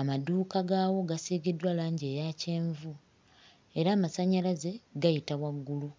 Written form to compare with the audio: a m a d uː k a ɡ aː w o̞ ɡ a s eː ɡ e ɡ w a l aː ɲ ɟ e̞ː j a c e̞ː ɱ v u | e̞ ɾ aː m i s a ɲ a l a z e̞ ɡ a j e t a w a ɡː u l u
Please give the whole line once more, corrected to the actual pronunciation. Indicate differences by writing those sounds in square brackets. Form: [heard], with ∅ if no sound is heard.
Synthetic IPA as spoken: a m a d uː k a ɡ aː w o̞ ɡ a s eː ɡ e [d] w a l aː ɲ ɟ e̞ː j a c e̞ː ɱ v u | e̞ ɾ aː m [a] s a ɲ a l a z e̞ ɡ a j [i] t a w a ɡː u l u